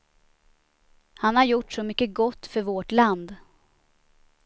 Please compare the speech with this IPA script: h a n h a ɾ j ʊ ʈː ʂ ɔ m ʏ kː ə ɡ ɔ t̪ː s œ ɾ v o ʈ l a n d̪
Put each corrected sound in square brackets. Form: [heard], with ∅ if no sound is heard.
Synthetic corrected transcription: h a n h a ɾ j ʊ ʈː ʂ ɔ m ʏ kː ə ɡ ɔ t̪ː [f] œ ɾ v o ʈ l a n d̪